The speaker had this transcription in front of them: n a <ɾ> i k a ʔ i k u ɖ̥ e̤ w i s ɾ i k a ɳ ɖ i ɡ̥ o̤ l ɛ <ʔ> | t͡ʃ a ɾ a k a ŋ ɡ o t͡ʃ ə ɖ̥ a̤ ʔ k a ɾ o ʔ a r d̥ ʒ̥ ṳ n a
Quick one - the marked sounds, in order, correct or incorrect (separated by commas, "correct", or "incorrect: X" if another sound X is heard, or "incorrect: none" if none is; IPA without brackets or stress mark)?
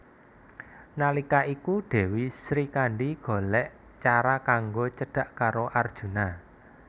incorrect: l, correct